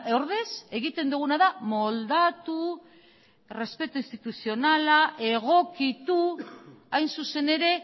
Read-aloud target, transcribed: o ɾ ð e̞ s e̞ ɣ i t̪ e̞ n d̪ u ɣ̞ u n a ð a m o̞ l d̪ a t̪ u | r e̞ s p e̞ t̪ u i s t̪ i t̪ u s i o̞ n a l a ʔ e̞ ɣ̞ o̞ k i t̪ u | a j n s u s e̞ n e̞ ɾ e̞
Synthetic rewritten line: o ɾ ð e̞ s e̞ ɣ i t̪ e̞ n d̪ u ɣ̞ u n a ð a m o̞ l d̪ a t̪ u | r e̞ s p e̞ t̪ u i s t̪ i t̪ u s i o̞ n a l a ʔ e̞ ɣ̞ o̞ k i t̪ u | a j n s u s e̞ n e̞ ɾ e̞